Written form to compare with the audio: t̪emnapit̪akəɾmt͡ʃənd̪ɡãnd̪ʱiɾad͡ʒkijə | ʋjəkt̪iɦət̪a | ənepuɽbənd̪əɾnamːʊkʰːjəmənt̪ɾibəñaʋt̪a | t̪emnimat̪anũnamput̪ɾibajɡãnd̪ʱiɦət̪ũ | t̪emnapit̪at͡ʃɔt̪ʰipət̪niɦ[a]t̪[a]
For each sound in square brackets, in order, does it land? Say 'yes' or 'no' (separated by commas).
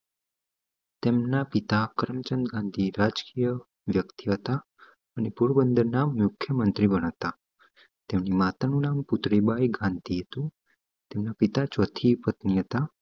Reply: no, yes